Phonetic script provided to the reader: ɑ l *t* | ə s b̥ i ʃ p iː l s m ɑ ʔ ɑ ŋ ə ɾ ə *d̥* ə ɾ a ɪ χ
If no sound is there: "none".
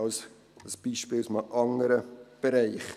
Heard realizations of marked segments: s, b̥

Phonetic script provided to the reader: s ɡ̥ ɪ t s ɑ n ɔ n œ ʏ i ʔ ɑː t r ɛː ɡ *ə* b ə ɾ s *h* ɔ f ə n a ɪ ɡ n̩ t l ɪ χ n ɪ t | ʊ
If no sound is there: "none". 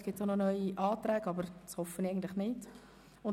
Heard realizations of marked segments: ɑ, h

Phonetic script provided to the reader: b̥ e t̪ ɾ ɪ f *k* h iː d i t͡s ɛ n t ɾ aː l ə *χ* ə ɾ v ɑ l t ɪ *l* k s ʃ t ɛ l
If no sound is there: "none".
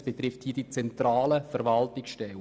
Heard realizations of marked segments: t, f, none

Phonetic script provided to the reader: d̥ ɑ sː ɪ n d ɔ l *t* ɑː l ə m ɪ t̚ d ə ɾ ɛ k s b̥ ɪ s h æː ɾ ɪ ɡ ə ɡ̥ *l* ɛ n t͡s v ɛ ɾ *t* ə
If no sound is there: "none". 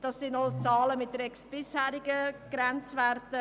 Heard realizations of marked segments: t͡s, ɾ, t

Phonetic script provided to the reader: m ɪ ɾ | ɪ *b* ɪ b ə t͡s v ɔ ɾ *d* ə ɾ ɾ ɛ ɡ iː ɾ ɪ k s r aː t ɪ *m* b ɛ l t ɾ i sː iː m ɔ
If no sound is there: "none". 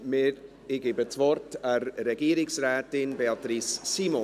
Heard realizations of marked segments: ɡ, t, n

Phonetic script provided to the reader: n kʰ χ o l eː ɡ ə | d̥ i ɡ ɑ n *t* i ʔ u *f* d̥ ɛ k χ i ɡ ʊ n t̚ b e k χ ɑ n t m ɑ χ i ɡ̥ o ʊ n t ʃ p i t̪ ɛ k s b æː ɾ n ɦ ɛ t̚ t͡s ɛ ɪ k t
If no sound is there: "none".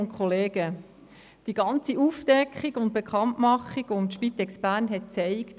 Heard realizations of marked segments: t͡s, f

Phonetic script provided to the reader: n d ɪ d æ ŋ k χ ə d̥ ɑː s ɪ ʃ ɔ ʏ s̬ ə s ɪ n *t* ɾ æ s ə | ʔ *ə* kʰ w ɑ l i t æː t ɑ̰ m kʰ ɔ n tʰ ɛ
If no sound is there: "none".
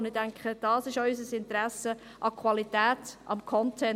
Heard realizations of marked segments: t, ɑ

